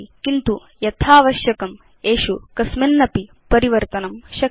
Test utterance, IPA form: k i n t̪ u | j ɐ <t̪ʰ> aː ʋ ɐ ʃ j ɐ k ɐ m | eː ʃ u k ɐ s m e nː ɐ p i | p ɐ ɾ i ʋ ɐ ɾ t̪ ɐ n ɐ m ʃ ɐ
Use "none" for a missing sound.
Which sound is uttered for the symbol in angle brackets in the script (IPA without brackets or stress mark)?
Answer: t̪ʰ